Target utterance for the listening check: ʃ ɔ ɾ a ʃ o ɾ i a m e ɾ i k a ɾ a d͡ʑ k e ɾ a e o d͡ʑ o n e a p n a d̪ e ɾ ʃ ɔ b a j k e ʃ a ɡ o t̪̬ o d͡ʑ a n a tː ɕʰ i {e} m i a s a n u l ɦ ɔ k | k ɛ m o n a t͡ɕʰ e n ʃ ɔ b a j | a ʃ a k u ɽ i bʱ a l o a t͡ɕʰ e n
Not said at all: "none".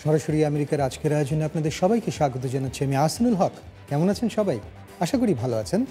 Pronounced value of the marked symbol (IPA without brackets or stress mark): a